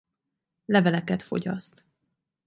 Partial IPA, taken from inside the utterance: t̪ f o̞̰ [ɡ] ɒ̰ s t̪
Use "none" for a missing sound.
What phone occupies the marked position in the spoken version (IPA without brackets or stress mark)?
ɟ